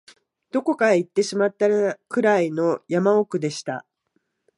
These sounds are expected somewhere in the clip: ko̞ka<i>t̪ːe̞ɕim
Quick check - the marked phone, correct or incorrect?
correct